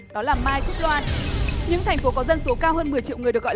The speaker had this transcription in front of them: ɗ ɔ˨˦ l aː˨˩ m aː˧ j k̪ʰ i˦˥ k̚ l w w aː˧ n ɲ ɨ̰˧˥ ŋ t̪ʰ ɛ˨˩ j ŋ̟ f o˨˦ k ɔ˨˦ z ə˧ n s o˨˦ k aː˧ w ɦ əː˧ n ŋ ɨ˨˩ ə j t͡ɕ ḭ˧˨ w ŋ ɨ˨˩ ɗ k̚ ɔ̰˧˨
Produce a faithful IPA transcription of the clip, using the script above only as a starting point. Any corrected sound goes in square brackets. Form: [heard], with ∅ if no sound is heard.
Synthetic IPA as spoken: ɗ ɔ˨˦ l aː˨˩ m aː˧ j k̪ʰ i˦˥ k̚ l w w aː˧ n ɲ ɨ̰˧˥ ŋ t̪ʰ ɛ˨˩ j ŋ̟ f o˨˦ k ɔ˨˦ z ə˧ n s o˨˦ k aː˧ w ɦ əː˧ n [m] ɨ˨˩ ə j t͡ɕ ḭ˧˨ w ŋ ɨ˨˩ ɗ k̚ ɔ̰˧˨